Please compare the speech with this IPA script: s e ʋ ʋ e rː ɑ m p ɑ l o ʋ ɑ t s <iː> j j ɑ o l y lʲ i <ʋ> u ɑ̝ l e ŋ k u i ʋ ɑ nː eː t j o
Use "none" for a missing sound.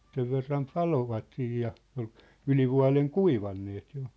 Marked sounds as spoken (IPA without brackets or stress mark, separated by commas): iː, ʋ